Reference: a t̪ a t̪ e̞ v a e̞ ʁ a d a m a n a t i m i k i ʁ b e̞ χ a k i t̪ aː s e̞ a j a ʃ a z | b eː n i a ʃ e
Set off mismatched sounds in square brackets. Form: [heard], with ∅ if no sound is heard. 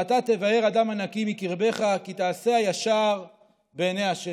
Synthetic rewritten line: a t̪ a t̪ e̞ v a e̞ ʁ a d a m a n a [k] i m i k i ʁ b e̞ χ a k i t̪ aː s e̞ a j a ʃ a [ʁ] | b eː n [e] a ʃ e